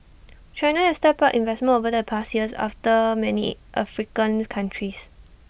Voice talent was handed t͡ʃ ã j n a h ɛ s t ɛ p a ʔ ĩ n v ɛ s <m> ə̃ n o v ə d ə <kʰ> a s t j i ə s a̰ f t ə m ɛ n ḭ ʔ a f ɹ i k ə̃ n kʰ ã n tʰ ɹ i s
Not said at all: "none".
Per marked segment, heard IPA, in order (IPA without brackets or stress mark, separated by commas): m, pʰ